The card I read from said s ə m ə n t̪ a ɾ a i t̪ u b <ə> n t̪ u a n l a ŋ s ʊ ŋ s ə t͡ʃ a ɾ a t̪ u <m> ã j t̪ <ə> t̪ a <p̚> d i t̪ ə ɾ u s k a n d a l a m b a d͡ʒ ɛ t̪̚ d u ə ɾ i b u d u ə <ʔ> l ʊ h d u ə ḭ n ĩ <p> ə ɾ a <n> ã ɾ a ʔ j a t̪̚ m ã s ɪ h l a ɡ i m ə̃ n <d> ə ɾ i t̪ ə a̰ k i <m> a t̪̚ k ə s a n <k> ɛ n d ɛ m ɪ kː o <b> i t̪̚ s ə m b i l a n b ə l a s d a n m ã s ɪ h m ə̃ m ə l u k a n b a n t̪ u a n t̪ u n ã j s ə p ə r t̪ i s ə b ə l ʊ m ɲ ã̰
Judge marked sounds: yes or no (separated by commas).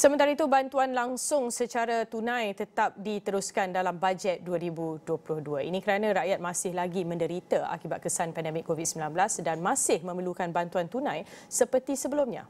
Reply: no, no, yes, yes, no, no, yes, yes, no, no, no